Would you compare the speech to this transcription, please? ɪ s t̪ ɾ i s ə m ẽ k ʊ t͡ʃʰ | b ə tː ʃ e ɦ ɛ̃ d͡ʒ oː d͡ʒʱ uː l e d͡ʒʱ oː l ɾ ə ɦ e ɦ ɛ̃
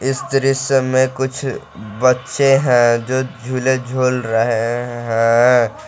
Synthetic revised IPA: ɪ s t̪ ɾ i s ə m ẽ k ʊ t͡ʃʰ | b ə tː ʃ e ɦ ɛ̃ d͡ʒ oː d͡ʒʱ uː l e d͡ʒʱ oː l ɾ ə ɦ e ɦ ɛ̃